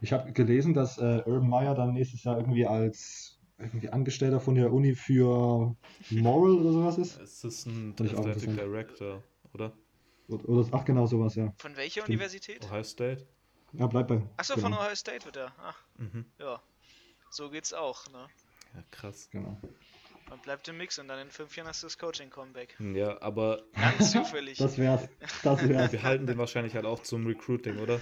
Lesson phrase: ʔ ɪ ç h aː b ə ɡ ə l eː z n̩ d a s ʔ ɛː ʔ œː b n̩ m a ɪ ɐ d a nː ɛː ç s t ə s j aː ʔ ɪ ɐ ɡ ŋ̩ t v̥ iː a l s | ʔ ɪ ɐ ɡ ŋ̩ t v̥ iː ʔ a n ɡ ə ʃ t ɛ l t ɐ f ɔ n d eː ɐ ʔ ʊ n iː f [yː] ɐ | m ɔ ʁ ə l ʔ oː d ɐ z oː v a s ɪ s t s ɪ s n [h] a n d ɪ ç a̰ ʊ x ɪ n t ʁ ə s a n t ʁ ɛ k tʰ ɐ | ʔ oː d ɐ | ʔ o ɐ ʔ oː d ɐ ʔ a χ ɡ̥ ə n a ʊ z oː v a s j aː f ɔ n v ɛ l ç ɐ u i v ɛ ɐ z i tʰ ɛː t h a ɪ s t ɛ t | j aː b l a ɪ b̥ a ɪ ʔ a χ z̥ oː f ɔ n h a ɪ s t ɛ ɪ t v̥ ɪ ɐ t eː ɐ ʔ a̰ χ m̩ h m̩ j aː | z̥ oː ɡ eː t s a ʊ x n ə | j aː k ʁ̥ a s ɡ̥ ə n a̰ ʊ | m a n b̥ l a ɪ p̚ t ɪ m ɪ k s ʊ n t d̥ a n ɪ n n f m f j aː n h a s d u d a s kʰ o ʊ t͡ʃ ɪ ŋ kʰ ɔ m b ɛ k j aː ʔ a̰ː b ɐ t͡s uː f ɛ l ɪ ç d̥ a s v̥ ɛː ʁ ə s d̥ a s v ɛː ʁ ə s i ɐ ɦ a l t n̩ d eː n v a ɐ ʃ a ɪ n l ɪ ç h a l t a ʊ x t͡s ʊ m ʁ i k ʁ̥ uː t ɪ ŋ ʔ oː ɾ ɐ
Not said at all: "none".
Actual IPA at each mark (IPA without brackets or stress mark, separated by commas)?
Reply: yː, f